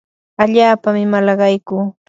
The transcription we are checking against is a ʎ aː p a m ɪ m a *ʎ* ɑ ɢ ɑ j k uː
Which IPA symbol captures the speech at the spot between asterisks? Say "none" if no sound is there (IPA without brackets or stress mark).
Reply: l